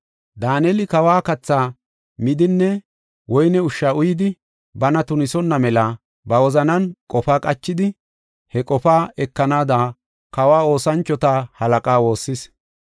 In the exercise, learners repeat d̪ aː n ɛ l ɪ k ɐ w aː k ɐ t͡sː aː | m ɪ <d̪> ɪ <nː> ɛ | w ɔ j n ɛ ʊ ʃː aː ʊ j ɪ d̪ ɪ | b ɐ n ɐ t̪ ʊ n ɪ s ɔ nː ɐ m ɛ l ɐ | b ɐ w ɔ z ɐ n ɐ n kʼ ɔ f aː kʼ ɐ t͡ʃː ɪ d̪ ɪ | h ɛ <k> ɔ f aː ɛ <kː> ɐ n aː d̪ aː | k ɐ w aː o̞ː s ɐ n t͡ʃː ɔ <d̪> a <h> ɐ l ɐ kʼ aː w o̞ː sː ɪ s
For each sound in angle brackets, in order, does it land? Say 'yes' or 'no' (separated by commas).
yes, yes, no, yes, no, yes